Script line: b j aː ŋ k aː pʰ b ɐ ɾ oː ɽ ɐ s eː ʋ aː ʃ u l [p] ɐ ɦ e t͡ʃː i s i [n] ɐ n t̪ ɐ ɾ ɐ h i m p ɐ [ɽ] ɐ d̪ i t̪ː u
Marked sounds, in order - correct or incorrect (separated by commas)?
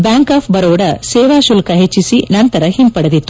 incorrect, correct, correct